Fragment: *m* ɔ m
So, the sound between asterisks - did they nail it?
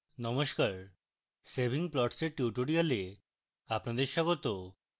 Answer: no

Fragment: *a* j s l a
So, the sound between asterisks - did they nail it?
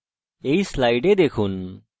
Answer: no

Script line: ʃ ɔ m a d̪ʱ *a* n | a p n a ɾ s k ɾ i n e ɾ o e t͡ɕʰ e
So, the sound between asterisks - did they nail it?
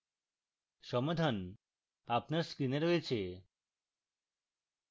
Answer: yes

